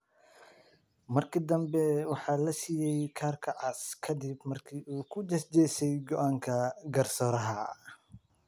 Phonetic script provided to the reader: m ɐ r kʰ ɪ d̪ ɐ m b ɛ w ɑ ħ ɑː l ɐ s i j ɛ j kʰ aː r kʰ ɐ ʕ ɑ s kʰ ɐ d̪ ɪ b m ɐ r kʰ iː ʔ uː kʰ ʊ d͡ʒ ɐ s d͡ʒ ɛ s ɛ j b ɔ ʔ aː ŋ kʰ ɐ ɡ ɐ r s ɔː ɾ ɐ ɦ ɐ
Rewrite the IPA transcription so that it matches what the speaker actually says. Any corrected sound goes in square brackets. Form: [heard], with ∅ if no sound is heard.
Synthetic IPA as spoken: m ɐ r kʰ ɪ d̪ ɐ m b ɛ w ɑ ħ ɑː l ɐ s i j ɛ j kʰ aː r kʰ ɐ ʕ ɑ s kʰ ɐ d̪ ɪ b m ɐ r kʰ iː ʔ uː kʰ ʊ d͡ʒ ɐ s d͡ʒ ɛ s ɛ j [ɡ] ɔ ʔ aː ŋ kʰ ɐ ɡ ɐ r s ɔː ɾ ɐ ɦ ɐ